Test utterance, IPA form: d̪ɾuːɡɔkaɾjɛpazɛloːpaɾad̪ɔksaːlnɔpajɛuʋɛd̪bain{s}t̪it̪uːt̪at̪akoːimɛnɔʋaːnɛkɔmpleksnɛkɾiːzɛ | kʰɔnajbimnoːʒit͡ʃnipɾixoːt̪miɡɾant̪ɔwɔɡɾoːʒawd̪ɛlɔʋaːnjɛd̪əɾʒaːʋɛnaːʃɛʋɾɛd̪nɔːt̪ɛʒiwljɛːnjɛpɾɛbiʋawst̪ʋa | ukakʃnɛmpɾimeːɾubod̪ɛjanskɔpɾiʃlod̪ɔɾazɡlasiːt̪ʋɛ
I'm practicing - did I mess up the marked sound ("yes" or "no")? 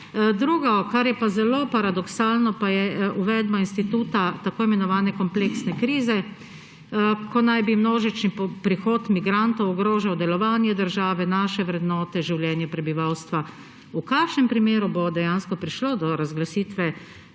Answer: no